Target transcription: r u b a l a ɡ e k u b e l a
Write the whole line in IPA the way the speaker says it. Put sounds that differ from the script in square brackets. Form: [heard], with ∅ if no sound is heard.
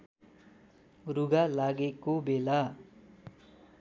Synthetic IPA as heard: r u [ɡ] a l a ɡ e k [o] b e l a